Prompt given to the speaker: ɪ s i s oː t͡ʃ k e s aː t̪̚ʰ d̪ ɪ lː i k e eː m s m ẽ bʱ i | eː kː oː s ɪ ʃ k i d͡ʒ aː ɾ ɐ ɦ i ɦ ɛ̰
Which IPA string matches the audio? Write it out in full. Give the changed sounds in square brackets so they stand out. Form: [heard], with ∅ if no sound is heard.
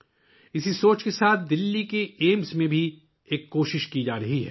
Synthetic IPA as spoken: ɪ s i s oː t͡ʃ k e s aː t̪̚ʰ d̪ ɪ lː i k e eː m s m ẽ bʱ i | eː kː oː [ʃ] ɪ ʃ k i d͡ʒ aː ɾ ɐ ɦ i ɦ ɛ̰